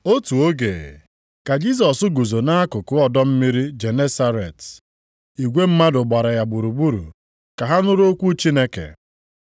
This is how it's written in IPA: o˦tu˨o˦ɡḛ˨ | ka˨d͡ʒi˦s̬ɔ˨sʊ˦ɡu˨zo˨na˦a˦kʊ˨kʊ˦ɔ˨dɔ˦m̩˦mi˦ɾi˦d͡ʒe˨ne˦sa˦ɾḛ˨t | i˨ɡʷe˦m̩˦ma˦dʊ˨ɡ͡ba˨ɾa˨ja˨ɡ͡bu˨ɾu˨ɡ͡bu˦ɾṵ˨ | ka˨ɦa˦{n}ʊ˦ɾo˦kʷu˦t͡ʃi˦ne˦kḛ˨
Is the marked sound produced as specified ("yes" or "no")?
yes